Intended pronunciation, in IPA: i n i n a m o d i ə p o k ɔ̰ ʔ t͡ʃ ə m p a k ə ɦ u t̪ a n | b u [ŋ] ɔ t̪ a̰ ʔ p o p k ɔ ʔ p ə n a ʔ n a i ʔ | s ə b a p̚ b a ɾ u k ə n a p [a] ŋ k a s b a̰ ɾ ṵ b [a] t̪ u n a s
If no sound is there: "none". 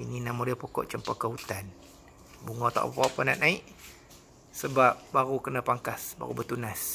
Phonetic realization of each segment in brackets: ŋ, a, ə

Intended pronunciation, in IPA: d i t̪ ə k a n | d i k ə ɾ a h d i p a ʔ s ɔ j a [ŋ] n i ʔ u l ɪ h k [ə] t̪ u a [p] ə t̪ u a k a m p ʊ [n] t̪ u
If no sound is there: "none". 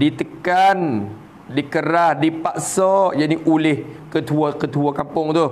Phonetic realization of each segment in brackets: none, ə, k, ŋ

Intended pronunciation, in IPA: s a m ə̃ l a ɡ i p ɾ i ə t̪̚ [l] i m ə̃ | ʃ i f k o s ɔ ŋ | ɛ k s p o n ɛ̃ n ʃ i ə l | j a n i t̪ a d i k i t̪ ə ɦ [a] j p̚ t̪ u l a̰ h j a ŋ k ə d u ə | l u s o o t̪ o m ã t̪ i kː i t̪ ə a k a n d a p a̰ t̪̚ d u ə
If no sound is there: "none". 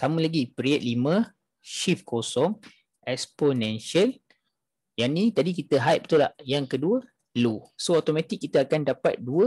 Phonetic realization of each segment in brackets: l, a

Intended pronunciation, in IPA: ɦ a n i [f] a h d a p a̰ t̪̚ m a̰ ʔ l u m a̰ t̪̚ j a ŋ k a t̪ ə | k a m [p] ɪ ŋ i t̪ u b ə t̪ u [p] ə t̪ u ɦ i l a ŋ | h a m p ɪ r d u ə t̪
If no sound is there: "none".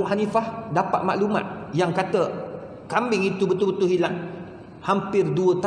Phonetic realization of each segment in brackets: f, b, b

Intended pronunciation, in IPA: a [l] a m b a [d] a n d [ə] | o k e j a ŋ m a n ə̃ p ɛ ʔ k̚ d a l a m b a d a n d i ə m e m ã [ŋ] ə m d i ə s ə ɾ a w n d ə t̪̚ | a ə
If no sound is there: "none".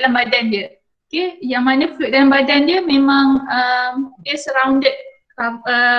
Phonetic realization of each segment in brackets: l, d, ə, ŋ

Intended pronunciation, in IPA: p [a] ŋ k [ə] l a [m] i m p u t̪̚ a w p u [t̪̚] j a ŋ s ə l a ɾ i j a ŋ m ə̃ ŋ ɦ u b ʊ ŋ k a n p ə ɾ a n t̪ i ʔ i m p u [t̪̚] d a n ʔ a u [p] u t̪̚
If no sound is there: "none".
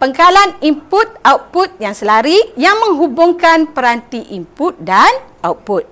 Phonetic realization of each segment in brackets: ə, a, n, t̪̚, t̪̚, p

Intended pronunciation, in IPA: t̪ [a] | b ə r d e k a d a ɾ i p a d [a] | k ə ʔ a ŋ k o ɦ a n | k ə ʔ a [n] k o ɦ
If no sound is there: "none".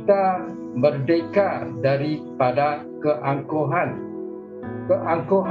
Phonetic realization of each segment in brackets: a, a, ŋ

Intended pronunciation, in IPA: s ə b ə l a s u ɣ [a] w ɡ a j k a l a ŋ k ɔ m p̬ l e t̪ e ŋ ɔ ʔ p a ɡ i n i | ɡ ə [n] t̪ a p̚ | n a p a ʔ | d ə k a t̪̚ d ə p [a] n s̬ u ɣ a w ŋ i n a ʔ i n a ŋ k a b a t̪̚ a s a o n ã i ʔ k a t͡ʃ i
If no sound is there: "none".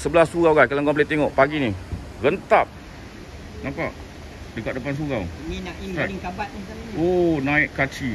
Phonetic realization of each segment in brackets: a, n, a

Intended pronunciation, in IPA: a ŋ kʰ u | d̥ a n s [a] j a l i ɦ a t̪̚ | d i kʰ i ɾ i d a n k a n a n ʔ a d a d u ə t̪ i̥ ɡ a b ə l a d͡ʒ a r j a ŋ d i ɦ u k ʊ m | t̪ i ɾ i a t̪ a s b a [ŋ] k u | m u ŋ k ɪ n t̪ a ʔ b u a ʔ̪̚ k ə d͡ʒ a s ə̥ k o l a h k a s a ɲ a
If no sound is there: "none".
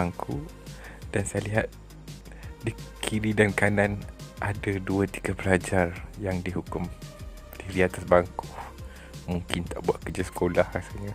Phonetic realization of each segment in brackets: a, ŋ

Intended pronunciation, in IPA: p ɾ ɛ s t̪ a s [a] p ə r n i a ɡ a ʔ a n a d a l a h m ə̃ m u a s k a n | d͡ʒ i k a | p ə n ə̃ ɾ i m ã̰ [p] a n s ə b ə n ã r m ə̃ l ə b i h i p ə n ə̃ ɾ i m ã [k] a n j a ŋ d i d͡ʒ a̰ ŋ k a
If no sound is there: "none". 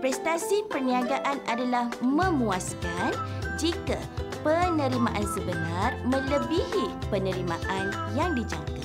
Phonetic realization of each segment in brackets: i, ʔ, ʔ

